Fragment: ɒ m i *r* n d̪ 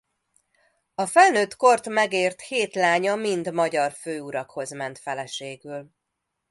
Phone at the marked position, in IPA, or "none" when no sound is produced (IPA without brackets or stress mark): none